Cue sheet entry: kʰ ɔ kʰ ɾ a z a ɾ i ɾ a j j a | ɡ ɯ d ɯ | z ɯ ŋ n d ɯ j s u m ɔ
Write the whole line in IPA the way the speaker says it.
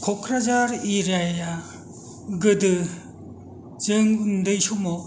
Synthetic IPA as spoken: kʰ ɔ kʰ ɾ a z a ɾ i ɾ a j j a | ɡ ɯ d ɯ | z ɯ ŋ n d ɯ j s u m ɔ